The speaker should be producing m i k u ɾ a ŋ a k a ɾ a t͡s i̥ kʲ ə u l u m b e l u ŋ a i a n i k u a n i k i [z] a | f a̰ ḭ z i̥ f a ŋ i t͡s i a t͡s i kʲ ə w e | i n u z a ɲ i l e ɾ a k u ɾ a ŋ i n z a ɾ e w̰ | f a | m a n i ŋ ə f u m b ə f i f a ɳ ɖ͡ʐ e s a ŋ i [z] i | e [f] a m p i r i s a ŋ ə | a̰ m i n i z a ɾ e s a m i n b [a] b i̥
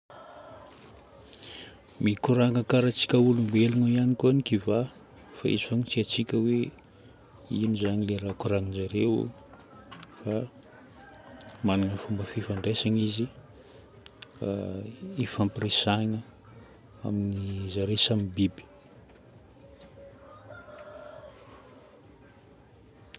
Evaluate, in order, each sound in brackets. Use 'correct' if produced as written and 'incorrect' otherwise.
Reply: incorrect, correct, correct, incorrect

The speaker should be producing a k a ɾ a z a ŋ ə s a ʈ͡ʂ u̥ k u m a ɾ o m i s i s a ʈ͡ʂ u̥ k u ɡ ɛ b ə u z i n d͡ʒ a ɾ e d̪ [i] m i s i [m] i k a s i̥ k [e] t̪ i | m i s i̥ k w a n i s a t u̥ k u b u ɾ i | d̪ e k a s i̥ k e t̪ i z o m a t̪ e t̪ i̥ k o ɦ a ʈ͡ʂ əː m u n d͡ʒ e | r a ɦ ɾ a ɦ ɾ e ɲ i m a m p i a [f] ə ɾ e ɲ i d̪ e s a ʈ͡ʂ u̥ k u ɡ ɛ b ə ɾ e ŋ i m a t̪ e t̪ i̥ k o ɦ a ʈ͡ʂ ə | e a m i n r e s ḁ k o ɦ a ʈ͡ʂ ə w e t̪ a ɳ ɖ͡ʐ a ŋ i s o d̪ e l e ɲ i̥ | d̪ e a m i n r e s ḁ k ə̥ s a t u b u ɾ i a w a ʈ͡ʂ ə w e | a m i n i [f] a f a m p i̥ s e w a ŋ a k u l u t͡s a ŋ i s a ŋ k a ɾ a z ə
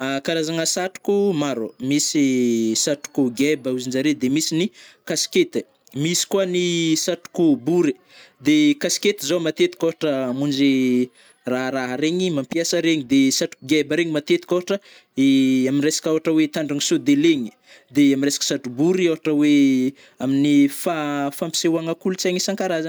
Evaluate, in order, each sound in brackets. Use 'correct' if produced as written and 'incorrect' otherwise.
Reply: incorrect, incorrect, correct, incorrect, correct

